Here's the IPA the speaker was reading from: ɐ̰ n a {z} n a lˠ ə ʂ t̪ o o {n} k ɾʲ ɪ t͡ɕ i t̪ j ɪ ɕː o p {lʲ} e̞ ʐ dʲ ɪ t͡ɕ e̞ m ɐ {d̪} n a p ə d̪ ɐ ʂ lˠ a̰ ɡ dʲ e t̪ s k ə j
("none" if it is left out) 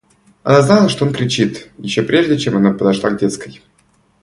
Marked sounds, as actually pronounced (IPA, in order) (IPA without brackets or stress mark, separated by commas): z, n, ɾʲ, none